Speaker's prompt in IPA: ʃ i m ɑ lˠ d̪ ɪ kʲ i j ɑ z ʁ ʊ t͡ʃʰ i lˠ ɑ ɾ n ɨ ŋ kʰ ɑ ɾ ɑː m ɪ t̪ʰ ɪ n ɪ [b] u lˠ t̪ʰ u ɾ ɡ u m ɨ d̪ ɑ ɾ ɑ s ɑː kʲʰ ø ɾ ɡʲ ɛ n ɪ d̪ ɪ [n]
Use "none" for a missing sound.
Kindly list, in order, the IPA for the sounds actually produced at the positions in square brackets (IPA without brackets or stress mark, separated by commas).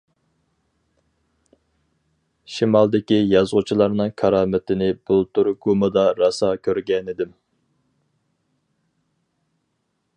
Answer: b, m